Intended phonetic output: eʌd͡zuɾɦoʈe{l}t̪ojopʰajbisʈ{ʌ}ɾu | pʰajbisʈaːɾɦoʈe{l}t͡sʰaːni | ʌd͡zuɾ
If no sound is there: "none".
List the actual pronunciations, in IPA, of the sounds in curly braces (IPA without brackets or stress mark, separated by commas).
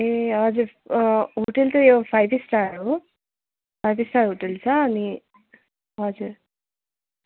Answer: l, a, l